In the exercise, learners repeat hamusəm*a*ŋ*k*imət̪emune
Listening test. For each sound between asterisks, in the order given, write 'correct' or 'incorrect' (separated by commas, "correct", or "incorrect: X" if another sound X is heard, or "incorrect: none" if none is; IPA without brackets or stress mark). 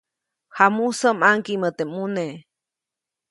correct, correct